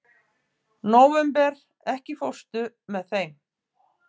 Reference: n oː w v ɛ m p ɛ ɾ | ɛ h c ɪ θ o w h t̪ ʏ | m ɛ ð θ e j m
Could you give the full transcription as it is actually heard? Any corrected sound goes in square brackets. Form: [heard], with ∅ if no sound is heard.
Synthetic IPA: n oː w v ɛ m p ɛ ɾ | ɛ h c ɪ [f] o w [s] t̪ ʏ | m ɛ ð θ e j m